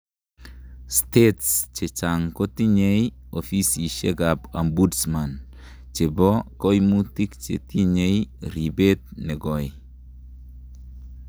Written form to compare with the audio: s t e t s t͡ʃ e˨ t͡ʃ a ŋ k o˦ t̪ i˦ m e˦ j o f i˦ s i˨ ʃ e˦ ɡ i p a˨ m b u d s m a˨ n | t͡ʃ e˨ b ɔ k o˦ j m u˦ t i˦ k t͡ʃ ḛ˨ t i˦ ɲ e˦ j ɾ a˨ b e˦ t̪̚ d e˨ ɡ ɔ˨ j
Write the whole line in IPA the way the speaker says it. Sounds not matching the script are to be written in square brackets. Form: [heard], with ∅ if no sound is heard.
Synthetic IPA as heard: s t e t s t͡ʃ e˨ t͡ʃ a ŋ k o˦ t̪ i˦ [ɲ] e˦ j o f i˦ s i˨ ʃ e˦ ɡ [a] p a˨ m b u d s m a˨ n | t͡ʃ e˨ b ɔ k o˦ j m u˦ t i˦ k t͡ʃ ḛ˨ t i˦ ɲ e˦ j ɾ [i˨] b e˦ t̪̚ [n] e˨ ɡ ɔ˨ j